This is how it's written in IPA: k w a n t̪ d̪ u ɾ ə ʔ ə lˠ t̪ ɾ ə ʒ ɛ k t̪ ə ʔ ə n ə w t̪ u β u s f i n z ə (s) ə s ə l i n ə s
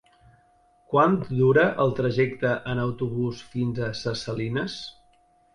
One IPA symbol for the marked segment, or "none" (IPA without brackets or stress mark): s